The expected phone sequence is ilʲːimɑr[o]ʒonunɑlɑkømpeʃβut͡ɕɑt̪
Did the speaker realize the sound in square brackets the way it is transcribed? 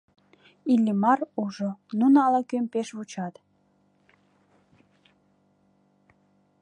no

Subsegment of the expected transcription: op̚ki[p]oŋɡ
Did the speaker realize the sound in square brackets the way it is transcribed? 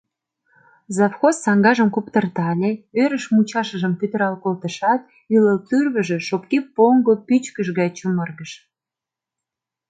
yes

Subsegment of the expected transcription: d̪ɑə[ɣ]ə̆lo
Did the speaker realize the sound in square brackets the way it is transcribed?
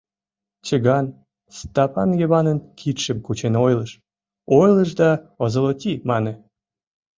no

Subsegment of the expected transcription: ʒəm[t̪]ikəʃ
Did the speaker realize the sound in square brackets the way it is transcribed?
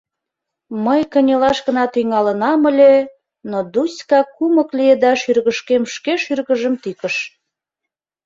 yes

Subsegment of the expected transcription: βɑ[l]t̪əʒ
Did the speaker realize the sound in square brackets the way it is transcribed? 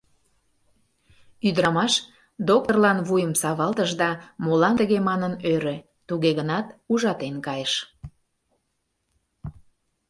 yes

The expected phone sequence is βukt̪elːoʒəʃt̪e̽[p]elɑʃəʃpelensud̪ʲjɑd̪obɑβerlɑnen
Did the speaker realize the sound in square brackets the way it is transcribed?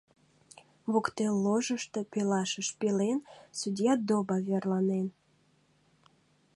yes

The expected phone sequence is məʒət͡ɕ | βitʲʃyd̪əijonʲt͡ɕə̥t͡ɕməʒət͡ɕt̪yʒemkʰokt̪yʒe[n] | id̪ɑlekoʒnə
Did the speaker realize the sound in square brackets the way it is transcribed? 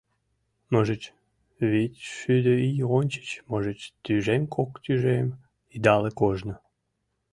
no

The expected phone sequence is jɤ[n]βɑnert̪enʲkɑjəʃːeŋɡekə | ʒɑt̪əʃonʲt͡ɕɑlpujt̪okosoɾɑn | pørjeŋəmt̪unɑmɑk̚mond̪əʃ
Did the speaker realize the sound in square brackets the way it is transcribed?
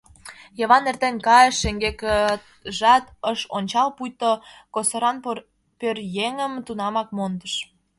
no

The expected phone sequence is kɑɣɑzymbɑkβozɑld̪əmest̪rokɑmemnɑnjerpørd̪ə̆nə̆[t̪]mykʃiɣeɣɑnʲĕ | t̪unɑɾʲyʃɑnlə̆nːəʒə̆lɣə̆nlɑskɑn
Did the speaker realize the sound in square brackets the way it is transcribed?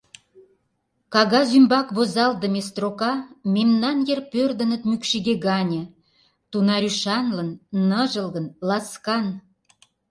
yes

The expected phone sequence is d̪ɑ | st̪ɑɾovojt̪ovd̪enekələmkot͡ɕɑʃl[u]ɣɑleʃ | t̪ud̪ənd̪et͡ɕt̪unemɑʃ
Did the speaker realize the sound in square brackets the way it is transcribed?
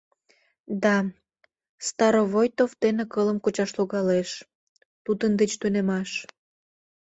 no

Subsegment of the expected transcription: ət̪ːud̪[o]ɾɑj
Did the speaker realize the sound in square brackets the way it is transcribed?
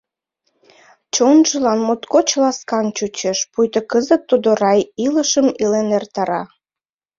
yes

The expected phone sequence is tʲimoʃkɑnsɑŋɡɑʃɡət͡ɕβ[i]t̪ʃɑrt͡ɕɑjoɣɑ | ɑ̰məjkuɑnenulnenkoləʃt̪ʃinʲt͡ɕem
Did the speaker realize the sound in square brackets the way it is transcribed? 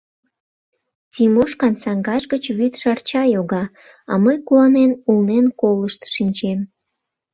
no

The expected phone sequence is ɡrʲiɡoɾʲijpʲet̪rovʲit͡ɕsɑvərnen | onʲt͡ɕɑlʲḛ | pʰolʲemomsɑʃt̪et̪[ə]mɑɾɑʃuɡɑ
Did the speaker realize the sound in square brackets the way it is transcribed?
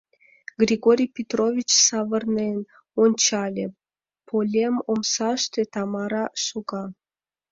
no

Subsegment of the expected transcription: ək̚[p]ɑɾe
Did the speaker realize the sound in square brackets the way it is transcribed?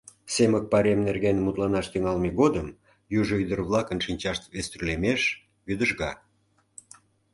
yes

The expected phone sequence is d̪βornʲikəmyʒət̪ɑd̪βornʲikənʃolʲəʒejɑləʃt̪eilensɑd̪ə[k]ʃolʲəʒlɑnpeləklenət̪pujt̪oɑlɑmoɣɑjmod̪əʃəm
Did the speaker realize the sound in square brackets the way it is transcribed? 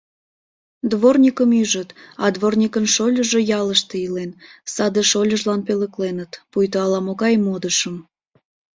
no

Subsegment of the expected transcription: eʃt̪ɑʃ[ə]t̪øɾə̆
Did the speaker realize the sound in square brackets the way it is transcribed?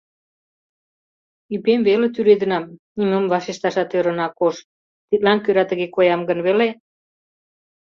no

